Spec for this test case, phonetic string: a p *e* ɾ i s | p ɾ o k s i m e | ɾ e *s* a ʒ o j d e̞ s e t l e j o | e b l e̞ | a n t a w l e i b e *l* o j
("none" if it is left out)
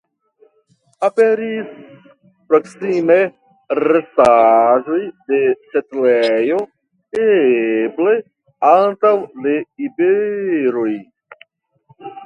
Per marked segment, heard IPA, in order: e, s, ɾ

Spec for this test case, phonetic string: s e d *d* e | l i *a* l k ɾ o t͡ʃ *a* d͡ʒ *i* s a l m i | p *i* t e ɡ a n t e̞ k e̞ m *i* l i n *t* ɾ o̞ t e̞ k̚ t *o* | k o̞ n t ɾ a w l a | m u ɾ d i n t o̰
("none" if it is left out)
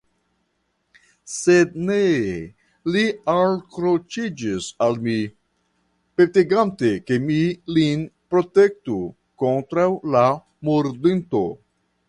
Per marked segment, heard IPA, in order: n, a, i, i, e, i, p, u

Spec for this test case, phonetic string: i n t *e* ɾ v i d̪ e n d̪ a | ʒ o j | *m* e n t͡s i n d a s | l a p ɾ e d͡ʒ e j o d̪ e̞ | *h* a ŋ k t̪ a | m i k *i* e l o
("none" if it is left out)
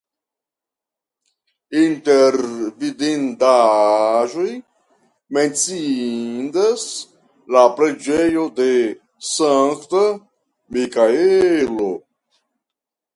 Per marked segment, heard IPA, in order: e, m, s, a

